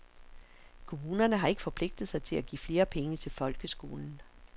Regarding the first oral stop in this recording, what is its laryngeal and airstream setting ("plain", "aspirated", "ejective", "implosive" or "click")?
aspirated